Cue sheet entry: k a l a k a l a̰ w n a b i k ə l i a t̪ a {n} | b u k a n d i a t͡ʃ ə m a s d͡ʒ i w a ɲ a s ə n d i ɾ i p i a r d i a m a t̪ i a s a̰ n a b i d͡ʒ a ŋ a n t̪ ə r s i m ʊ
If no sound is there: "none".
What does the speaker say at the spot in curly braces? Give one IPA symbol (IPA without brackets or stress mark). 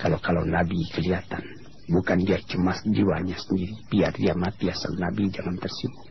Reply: n